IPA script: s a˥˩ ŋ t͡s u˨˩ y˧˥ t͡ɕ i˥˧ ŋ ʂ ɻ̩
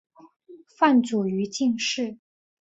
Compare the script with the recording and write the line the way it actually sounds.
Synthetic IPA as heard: f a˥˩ n t͡s u˨˩ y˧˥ t͡ɕ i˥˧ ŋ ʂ ɻ̩

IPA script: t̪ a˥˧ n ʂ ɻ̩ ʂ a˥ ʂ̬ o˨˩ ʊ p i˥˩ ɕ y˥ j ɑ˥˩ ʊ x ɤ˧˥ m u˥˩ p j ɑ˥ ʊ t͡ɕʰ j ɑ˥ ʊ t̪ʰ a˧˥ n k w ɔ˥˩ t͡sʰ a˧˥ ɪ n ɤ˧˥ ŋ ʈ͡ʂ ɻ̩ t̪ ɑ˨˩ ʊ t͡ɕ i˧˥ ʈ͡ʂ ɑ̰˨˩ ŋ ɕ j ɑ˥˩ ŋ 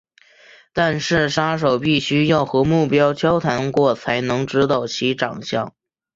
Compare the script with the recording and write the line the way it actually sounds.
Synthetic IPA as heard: t̪ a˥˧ n ʂ ɻ̩ ʂ a˥ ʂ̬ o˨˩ ʊ p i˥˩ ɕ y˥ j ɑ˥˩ ʊ x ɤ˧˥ m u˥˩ p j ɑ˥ ʊ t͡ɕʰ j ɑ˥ ʊ t̪ʰ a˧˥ n k w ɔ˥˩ t͡sʰ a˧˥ ɪ n ɤ˧˥ ŋ ʈ͡ʂ ɻ̩ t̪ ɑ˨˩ ʊ t͡ɕʰ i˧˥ ʈ͡ʂ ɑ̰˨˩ ŋ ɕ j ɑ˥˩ ŋ

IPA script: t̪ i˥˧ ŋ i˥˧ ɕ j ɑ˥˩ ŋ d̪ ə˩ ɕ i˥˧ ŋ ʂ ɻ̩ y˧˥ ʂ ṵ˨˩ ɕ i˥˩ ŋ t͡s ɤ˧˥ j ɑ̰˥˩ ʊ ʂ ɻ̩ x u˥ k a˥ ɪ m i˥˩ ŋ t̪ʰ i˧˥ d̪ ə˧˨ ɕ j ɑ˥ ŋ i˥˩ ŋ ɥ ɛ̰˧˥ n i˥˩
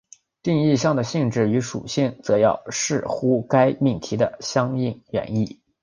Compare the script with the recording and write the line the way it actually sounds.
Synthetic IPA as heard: t̪ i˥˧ ŋ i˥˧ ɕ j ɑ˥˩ ŋ d̪ ə˩ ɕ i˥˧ ŋ ʈ͡ʂ ɻ̩ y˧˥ ʂ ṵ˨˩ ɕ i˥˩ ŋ t͡s ɤ˧˥ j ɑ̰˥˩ ʊ ʂ ɻ̩ x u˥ k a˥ ɪ m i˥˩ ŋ t̪ʰ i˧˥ d̪ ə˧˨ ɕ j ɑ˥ ŋ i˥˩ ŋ ɥ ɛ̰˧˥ n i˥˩

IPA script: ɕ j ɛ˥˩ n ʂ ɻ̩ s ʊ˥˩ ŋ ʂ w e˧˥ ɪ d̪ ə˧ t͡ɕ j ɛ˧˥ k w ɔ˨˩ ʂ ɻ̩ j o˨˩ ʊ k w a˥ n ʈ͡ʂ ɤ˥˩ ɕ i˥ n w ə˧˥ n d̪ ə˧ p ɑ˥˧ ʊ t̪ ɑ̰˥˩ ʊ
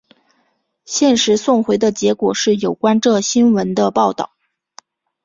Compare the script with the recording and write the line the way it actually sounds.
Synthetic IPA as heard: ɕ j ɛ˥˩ n ʂ ɻ̩ s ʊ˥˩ ŋ x w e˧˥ ɪ d̪ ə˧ t͡ɕ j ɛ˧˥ k w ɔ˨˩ ʂ ɻ̩ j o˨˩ ʊ k w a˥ n ʈ͡ʂ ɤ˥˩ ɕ i˥ n w ə˧˥ n d̪ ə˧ p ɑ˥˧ ʊ t̪ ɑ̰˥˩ ʊ

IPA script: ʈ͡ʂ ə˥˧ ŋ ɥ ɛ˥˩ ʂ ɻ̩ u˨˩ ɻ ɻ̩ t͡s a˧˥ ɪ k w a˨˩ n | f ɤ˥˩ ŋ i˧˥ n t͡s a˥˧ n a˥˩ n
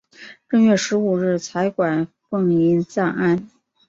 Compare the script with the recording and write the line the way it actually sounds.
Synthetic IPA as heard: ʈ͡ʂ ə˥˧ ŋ ɥ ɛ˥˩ ʂ ɻ̩ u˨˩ ɻ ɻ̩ t͡sʰ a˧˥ ɪ k w a˨˩ n | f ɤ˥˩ ŋ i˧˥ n t͡s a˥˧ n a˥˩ n

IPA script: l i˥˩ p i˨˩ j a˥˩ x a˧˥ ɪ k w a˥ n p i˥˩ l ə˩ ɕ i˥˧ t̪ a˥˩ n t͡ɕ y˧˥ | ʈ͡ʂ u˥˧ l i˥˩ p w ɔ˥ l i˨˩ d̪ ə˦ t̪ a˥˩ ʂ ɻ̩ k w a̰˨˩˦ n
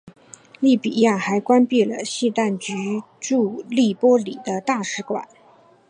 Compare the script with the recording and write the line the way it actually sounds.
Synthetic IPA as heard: l i˥˩ p i˨˩ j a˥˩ x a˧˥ ɪ k w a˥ n p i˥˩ l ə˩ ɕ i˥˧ t̪ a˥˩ n t͡ɕ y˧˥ | ʈ͡ʂ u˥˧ l i˥˩ p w ɔ˥ l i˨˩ d̪ ə˦ t̪ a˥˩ ʂ ɻ̩ k w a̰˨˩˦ n

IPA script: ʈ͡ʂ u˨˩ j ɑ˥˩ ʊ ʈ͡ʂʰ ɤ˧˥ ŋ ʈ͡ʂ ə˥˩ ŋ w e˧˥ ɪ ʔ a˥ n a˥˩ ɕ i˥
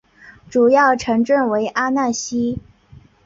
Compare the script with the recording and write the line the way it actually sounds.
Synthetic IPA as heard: ʈ͡ʂ u˨˩ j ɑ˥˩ ʊ ʈ͡ʂʰ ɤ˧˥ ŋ ʈ͡ʂ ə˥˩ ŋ w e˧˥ ɪ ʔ a˥ n a˥˩ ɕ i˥

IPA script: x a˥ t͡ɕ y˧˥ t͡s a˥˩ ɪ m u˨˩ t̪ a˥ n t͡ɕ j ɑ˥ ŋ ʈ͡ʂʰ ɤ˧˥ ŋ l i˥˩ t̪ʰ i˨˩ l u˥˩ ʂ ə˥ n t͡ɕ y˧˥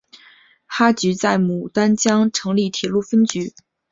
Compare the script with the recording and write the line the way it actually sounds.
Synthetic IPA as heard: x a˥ t͡ɕ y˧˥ t͡s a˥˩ ɪ m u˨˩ t̪ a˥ n t͡ɕ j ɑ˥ ŋ ʈ͡ʂʰ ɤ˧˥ ŋ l i˥˩ t̪ʰ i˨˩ l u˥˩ f ə˥ n t͡ɕ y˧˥

